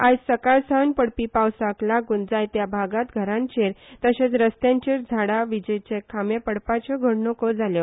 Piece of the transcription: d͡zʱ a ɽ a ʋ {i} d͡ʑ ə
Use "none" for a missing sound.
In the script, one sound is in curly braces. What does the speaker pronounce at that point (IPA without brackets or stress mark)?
i